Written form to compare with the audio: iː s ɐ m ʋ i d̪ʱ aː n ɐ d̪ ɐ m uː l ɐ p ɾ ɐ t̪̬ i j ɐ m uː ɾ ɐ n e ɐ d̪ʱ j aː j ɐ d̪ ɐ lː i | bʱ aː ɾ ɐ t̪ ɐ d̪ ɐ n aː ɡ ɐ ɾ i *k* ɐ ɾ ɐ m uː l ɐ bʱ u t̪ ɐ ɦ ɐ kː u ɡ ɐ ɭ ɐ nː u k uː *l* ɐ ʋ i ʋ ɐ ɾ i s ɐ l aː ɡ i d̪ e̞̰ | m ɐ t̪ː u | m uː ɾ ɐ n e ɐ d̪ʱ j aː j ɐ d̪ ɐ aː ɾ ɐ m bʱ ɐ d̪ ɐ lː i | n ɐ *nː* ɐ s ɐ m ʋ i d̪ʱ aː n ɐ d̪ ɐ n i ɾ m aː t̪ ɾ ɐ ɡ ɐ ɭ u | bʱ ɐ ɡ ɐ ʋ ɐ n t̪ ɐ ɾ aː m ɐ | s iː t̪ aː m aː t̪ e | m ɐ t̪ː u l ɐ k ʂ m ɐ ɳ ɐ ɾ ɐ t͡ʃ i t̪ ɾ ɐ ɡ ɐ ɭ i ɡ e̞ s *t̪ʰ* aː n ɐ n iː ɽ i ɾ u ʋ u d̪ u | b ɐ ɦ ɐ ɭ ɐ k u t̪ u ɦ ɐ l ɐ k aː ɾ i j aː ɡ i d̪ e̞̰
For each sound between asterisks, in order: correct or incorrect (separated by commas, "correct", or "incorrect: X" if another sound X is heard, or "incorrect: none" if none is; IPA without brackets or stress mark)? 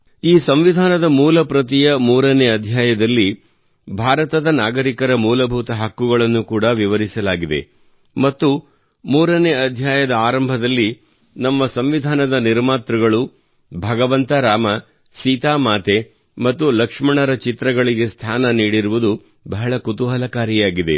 correct, incorrect: ɽ, incorrect: mː, correct